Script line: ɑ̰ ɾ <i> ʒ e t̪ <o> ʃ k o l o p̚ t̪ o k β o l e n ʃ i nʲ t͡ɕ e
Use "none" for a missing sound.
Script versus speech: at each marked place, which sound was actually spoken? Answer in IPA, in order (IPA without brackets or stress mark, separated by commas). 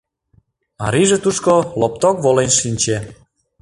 i, u